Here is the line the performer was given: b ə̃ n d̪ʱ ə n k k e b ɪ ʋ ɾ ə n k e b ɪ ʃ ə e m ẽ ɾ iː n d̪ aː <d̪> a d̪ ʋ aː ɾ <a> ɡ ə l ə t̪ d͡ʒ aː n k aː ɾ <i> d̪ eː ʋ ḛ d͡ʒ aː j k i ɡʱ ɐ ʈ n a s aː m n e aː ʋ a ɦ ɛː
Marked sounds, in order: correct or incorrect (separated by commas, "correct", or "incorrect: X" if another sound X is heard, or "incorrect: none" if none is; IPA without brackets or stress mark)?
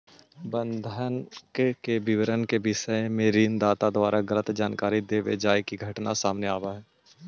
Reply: incorrect: t̪, correct, correct